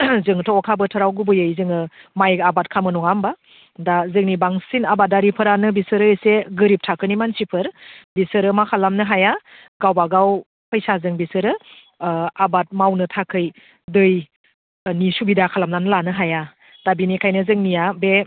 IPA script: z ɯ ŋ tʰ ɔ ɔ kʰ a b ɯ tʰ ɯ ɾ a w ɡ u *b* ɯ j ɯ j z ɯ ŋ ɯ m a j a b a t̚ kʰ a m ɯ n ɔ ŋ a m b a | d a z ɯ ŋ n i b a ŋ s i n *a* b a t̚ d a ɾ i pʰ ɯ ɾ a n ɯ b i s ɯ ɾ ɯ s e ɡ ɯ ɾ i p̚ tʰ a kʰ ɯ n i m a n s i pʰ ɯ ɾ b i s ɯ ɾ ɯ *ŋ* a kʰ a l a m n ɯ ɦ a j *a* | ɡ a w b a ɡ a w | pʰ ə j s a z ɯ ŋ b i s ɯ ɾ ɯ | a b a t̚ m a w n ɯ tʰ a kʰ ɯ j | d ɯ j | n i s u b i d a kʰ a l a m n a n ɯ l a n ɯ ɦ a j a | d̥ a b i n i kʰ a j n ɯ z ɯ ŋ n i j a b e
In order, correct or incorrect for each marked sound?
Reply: correct, correct, incorrect, correct

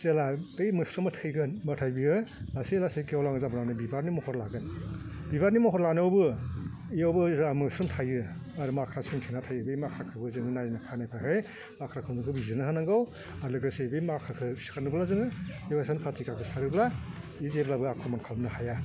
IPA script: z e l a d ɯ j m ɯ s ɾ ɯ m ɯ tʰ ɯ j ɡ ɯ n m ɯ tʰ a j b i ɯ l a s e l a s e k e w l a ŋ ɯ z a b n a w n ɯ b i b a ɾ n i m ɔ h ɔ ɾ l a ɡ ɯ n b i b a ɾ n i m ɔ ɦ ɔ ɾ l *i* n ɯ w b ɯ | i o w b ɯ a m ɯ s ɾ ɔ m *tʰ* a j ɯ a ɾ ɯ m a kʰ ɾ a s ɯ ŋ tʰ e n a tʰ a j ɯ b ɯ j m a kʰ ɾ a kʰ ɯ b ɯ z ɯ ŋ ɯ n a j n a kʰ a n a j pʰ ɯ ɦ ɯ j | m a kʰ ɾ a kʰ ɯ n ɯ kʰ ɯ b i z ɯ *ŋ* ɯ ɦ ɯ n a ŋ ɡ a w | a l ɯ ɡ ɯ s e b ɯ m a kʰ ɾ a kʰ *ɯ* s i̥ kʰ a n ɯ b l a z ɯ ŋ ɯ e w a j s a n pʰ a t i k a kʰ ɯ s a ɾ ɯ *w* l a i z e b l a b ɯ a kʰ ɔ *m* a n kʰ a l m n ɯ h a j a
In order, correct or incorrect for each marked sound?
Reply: incorrect, correct, incorrect, correct, incorrect, correct

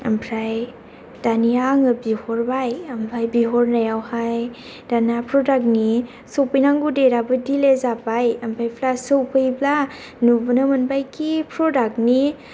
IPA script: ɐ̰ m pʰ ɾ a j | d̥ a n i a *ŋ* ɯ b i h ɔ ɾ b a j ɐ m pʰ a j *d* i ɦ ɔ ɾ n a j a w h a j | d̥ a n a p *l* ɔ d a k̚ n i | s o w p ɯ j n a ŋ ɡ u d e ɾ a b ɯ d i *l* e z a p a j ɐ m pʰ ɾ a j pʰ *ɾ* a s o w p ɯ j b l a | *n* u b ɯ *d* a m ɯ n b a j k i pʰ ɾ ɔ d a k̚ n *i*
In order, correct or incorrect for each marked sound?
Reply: correct, incorrect, incorrect, correct, incorrect, correct, incorrect, correct

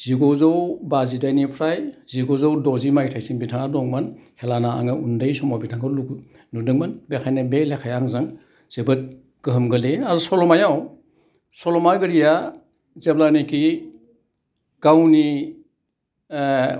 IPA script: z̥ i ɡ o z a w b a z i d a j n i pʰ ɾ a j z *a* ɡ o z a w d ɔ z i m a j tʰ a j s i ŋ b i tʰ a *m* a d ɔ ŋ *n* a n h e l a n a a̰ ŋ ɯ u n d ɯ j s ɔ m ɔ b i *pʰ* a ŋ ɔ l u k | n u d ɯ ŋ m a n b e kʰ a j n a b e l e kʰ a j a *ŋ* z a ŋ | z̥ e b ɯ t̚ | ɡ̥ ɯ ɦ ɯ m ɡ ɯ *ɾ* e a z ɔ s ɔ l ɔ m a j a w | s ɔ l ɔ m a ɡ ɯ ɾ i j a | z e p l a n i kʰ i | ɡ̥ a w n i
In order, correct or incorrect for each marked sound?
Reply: incorrect, incorrect, incorrect, incorrect, correct, incorrect

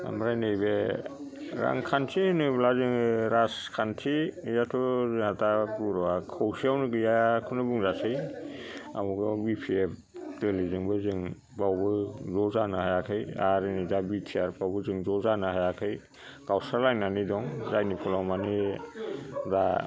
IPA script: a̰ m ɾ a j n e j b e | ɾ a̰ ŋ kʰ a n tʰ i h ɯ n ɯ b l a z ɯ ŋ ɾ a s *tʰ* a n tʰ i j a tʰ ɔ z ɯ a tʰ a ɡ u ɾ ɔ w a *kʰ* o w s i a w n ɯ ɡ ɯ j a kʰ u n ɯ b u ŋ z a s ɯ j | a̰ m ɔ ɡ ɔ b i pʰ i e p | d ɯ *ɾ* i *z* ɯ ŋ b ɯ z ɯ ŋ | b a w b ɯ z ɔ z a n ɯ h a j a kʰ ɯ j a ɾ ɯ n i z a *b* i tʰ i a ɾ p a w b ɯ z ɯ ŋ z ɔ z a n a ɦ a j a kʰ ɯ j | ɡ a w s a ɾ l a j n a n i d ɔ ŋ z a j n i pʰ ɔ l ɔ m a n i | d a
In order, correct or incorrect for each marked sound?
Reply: incorrect, correct, incorrect, correct, correct

